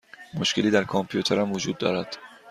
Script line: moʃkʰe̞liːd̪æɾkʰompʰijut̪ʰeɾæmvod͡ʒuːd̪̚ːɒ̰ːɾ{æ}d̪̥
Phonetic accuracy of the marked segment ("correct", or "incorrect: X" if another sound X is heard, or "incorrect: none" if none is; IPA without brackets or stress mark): correct